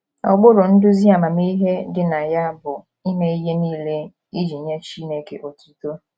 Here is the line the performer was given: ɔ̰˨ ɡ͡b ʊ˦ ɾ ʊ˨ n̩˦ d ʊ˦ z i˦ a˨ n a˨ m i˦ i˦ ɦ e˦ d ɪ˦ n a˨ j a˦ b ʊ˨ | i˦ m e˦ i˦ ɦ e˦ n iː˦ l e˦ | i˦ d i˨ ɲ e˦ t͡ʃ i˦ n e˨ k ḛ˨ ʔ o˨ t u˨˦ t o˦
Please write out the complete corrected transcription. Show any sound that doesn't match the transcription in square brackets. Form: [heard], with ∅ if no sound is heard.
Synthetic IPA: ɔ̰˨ ɡ͡b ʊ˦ ɾ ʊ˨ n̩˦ d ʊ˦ z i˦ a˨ [m] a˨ m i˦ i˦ ɦ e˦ d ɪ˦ n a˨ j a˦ b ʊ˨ | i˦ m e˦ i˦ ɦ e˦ n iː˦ l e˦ | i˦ [d͡ʒ] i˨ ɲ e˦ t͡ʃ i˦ n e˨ k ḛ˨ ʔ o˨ t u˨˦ t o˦